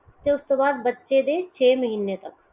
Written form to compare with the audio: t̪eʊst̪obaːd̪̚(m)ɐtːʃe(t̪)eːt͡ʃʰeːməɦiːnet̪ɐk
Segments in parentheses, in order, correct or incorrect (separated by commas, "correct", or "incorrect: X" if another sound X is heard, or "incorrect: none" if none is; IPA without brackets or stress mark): incorrect: b, incorrect: d̪